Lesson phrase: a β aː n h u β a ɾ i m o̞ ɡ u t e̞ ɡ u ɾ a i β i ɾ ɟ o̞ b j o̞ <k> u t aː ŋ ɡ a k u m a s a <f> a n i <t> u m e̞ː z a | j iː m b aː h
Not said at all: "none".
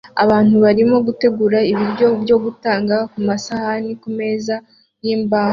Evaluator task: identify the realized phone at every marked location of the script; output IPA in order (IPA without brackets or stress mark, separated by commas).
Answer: ɡ, h, k